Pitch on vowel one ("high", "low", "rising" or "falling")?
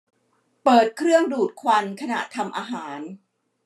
low